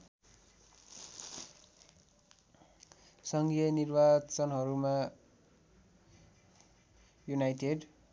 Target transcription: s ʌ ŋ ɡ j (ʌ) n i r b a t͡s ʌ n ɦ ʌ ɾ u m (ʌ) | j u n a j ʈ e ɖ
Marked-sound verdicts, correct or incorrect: correct, incorrect: a

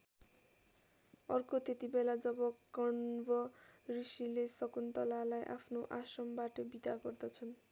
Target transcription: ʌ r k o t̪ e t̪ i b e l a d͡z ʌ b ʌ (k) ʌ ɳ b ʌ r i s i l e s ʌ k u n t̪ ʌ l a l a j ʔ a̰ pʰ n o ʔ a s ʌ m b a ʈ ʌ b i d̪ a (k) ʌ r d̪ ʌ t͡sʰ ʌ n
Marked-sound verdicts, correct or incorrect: correct, incorrect: ɡ

